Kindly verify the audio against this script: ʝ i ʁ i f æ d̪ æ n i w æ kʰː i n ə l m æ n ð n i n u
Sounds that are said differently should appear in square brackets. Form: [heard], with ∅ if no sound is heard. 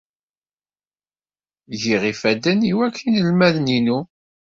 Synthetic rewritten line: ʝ i ʁ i f æ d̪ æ n i w æ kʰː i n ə l m æ [∅] ð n i n u